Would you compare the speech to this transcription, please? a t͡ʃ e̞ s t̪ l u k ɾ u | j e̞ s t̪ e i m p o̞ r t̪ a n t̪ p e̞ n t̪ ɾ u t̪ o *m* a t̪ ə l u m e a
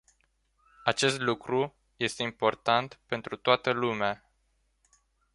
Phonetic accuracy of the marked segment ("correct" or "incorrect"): incorrect